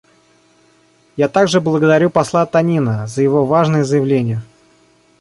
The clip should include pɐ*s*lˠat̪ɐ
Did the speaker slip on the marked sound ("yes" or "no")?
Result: no